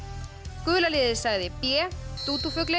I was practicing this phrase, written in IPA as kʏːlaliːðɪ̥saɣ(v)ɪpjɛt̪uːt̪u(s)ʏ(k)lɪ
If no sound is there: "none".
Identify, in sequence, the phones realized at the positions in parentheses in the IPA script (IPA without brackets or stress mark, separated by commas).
ð, f, k